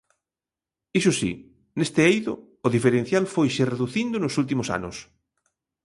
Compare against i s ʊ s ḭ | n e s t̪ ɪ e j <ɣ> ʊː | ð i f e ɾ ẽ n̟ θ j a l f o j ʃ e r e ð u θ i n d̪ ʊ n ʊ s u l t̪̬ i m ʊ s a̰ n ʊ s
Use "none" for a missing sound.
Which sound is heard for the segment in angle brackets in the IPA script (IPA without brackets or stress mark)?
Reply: ð